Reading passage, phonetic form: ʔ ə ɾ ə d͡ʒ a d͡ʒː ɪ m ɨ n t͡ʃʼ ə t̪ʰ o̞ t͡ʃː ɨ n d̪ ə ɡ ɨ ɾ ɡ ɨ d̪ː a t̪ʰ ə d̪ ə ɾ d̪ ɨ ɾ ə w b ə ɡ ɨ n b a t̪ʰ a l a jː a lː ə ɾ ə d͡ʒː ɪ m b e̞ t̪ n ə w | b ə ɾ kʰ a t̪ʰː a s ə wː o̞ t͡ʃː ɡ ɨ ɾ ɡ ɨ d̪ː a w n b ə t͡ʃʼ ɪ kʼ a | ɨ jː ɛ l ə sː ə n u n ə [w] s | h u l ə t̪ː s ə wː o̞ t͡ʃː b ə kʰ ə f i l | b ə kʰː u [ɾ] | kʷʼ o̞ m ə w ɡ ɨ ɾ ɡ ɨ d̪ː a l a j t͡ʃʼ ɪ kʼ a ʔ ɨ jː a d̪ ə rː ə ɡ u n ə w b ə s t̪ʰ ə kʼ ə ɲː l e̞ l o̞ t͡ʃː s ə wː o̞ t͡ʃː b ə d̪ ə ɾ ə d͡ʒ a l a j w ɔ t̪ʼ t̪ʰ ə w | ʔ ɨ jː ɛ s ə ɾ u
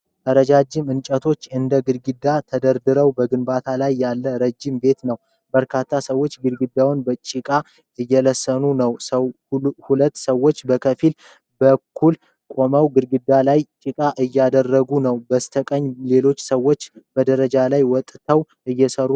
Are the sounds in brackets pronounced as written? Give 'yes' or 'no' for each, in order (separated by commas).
yes, no